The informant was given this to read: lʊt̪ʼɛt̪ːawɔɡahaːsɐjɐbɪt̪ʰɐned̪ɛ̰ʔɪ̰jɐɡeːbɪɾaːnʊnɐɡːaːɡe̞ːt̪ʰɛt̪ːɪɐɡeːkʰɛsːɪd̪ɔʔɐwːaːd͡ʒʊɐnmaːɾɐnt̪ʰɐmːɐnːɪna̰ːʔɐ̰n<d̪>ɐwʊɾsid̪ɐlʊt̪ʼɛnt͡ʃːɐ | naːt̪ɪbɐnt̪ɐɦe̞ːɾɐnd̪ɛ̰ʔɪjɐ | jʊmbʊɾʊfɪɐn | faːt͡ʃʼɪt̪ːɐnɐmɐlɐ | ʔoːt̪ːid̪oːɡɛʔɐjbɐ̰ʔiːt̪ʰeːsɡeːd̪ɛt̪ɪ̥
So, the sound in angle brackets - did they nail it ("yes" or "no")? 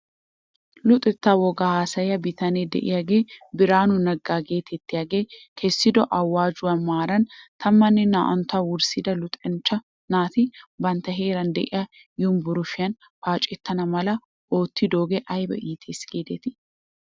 no